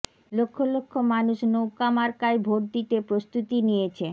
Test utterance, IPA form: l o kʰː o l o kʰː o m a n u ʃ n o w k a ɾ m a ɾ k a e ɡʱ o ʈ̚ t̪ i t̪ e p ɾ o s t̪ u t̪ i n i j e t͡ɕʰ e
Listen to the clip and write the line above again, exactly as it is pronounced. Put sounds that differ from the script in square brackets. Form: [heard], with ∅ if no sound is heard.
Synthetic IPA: l o kʰː o l o kʰː o m a n u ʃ n o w k a [∅] m a ɾ k a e [bʱ] o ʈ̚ [d̪] i t̪ e p ɾ o s t̪ u t̪ i n i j e t͡ɕʰ e

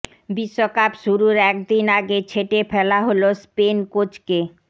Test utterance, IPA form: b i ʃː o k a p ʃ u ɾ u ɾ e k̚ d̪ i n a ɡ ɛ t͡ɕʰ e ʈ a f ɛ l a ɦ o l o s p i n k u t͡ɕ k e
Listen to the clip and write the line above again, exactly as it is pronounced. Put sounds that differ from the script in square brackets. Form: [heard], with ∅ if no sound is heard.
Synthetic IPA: b i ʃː o k a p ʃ u ɾ u ɾ [ɛ] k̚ d̪ i n a ɡ [e] t͡ɕʰ e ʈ [e] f ɛ l a ɦ o l o s p [e] n k [o] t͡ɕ k e

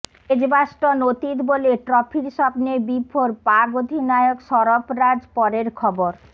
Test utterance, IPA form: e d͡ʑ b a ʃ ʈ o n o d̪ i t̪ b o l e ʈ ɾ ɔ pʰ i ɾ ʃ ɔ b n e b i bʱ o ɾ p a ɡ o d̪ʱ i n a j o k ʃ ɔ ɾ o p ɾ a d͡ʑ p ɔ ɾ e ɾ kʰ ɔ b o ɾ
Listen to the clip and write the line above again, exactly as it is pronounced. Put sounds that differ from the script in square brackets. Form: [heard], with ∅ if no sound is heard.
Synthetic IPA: e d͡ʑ b a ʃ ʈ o n o [t̪] i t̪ b o l e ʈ ɾ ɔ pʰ i ɾ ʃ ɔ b n e b i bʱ o ɾ p a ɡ o d̪ʱ i n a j o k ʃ ɔ ɾ o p ɾ a d͡ʑ p ɔ ɾ e ɾ kʰ ɔ b o ɾ

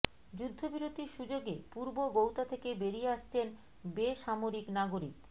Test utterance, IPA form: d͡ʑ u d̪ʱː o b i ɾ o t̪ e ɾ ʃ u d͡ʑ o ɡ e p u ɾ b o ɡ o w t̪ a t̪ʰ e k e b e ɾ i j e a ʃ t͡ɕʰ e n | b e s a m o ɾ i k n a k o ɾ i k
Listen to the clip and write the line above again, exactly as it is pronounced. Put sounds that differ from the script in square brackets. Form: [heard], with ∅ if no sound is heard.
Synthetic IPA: d͡ʑ u d̪ʱː o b i ɾ o t̪ [i] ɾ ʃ u d͡ʑ o ɡ e p u ɾ b o ɡ o w t̪ a t̪ʰ e k e b e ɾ i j e a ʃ t͡ɕʰ e n | b e [ʃ] a m o ɾ i k n a [ɡ] o ɾ i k

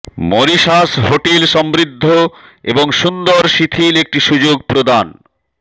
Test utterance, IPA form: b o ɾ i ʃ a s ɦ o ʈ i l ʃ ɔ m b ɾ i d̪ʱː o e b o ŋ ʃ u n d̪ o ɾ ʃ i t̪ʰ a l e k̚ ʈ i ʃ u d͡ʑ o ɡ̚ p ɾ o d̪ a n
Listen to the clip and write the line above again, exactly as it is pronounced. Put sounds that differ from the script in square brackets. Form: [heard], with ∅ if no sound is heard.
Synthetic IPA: [m] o ɾ i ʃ a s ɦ o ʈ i l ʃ ɔ m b ɾ i d̪ʱː o e b o ŋ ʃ u n d̪ o ɾ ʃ i t̪ʰ [i] l e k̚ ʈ i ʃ u d͡ʑ o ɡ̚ p ɾ o d̪ a n

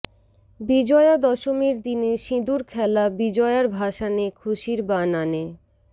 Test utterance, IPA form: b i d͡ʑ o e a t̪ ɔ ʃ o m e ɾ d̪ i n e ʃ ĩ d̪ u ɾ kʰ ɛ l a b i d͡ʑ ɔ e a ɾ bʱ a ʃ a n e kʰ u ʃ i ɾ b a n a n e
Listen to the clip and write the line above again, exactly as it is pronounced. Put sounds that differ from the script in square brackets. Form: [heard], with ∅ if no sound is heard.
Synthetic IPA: b i d͡ʑ [ɔ] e a [d̪] ɔ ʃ o m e ɾ d̪ i n e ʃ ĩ d̪ u ɾ kʰ ɛ l a b i d͡ʑ ɔ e a ɾ bʱ a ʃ a n e kʰ u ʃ i ɾ b a n a n e

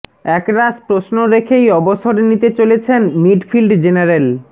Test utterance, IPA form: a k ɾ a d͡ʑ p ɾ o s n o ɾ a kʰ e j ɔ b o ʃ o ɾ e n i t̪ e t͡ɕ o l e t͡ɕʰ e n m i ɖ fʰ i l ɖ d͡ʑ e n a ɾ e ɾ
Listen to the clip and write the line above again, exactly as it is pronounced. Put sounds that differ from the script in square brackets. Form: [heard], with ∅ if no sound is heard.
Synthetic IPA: [ɛ] k ɾ a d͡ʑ p ɾ o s n o ɾ [e] kʰ e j ɔ b o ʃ o ɾ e n i t̪ e t͡ɕ o l e t͡ɕʰ e n m i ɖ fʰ i l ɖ d͡ʑ e n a ɾ e [l]

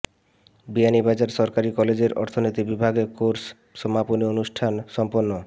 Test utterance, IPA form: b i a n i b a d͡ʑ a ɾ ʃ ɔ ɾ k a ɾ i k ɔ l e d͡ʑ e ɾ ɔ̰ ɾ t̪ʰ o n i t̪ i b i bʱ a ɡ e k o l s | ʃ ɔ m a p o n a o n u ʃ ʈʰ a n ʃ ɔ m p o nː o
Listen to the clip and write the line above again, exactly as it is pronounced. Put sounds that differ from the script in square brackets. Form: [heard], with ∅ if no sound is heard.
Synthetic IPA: b i a n i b a d͡ʑ a ɾ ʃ ɔ ɾ k a ɾ i k ɔ l e d͡ʑ e ɾ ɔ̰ ɾ t̪ʰ o n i t̪ i b i bʱ a ɡ e k o [ɾ] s | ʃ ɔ m a p o n [i] o n u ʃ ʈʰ a n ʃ ɔ m p o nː o

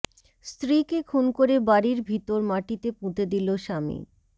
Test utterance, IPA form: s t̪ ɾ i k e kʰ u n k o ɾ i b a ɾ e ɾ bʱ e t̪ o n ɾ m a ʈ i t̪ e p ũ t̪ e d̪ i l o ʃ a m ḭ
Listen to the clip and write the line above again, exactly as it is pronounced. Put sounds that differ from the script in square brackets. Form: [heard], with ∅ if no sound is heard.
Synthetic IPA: s t̪ ɾ i k e kʰ u n k o ɾ [e] b a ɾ [i] ɾ bʱ [i] t̪ o [∅] ɾ m a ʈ i t̪ e p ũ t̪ e d̪ i l o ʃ a m ḭ

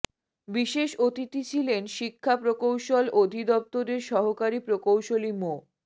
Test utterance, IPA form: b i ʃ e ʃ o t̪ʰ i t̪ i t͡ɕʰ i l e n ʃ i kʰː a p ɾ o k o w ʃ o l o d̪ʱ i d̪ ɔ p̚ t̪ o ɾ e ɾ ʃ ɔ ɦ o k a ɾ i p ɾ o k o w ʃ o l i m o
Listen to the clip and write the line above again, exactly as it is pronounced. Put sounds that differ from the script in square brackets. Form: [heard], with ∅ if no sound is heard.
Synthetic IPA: b i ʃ e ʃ o [t̪] i t̪ i t͡ɕʰ i l e n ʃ i kʰː a p ɾ o k o w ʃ o l o d̪ʱ i d̪ ɔ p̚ t̪ o ɾ e ɾ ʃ ɔ ɦ o k a ɾ i p ɾ o k o w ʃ o l i m o

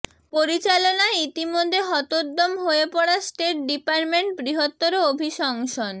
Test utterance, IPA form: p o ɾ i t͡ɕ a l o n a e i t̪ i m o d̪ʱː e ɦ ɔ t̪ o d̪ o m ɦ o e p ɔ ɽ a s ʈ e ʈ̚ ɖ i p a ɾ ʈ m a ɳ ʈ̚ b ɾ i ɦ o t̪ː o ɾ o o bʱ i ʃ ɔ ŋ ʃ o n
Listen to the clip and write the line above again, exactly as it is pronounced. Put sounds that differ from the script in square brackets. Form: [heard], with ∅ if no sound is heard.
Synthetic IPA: p o ɾ i t͡ɕ a l o n a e i t̪ i m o d̪ʱː e ɦ ɔ t̪ o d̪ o m ɦ o e p ɔ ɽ a s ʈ e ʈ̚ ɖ i p a ɾ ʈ m [e] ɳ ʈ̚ b ɾ i ɦ o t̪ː o ɾ o o bʱ i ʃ ɔ ŋ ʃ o n

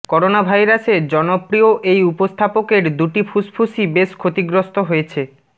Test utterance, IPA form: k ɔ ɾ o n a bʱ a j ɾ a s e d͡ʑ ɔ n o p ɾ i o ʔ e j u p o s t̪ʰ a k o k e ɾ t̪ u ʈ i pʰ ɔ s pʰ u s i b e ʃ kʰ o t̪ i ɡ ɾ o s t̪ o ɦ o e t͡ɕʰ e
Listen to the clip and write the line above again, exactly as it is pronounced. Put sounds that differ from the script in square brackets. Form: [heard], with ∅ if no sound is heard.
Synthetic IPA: k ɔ ɾ o n a bʱ a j ɾ a s e d͡ʑ ɔ n o p ɾ i o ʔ e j u p o s t̪ʰ a [p] o k e ɾ [d̪] u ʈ i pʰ [u] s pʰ u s i b e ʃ kʰ o t̪ i ɡ ɾ o s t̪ o ɦ o e t͡ɕʰ e

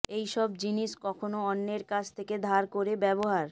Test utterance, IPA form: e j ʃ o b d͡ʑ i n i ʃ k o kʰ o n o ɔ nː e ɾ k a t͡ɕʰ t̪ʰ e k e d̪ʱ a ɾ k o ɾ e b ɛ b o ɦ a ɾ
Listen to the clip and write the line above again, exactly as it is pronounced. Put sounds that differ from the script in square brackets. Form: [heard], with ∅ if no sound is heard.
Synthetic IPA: e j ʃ [ɔ] b d͡ʑ i n i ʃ k [ɔ] kʰ o n o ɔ nː e ɾ k a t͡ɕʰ t̪ʰ e k e d̪ʱ a ɾ k o ɾ e b ɛ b o ɦ a ɾ

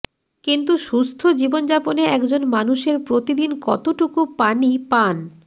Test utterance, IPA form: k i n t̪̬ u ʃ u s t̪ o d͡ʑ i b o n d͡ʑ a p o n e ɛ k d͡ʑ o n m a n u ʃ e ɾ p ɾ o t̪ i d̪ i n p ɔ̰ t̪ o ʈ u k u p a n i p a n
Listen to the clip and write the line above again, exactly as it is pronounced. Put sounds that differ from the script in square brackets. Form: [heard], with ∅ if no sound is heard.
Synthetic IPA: k i n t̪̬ u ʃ u s [t̪ʰ] o d͡ʑ i b o n d͡ʑ a p o n e ɛ k d͡ʑ o n m a n u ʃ e ɾ p ɾ o t̪ i d̪ i n [k] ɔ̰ t̪ o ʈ u k u p a n i p a n

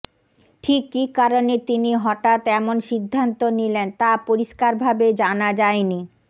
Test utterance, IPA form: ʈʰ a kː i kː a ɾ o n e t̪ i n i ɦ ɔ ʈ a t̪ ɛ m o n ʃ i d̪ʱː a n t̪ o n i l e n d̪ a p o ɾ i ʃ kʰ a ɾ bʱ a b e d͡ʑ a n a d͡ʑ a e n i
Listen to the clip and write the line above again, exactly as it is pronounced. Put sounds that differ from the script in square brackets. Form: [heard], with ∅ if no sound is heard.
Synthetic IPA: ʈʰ [i] kː i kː a ɾ o n e t̪ i n i ɦ ɔ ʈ a t̪ ɛ m o n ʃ i d̪ʱː a n t̪ o n i l e n [t̪] a p o ɾ i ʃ [k] a ɾ bʱ a b e d͡ʑ a n a d͡ʑ a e n i

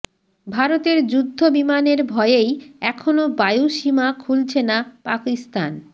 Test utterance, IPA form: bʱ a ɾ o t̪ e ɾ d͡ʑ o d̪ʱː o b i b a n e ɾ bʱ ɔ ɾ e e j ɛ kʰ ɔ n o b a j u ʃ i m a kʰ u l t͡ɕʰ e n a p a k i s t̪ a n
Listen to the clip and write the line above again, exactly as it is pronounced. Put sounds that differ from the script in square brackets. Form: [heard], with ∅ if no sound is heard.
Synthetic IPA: bʱ a ɾ o t̪ e ɾ d͡ʑ [u] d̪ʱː o b i [m] a n e ɾ bʱ ɔ [∅] e e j ɛ kʰ [o] n o b a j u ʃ i m a kʰ u l t͡ɕʰ e n a p a k i s t̪ a n

